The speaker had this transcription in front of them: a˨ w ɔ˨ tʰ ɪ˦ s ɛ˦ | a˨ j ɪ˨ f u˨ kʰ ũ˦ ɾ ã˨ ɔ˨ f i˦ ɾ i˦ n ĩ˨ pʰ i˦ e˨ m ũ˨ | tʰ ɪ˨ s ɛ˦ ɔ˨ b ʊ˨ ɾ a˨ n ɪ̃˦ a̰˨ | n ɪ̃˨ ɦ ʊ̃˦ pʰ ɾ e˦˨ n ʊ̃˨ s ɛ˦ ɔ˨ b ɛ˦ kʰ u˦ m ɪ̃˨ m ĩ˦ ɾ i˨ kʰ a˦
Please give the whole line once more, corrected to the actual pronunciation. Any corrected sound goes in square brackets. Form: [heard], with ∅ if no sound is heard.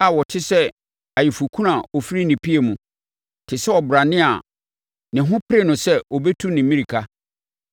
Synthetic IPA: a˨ w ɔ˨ tʰ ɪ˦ s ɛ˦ | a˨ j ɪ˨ f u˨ kʰ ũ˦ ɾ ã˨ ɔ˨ f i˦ ɾ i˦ n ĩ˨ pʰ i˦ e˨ m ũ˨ | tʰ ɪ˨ s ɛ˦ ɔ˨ b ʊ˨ ɾ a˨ n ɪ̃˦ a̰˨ | n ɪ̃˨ ɦ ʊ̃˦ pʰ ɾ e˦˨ n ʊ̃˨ s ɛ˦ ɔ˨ b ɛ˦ [tʰ] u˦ [n] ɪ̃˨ m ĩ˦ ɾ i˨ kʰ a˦